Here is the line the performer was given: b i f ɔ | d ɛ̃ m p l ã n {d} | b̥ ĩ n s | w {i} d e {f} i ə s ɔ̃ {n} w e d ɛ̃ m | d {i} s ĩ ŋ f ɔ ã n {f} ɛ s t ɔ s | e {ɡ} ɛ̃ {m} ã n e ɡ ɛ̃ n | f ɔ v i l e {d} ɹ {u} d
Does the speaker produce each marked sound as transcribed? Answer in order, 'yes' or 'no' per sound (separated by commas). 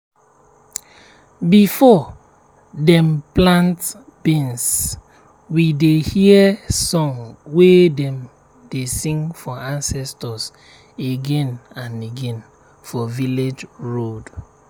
no, yes, no, no, no, no, yes, no, no, no